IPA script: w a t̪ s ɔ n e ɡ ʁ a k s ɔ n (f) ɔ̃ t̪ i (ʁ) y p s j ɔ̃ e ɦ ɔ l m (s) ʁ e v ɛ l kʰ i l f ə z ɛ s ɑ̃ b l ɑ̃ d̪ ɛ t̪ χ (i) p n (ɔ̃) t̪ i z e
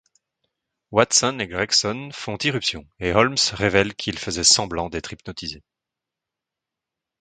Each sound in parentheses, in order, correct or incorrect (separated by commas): correct, correct, correct, correct, incorrect